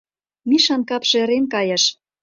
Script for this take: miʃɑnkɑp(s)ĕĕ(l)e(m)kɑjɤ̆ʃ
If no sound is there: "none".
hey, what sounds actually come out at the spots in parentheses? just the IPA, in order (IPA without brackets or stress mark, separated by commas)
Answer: ʃ, ɾ, n